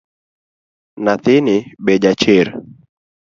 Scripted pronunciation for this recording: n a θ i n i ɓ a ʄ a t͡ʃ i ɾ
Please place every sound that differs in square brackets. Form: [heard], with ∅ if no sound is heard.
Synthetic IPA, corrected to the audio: n a θ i n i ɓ [ɛ] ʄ a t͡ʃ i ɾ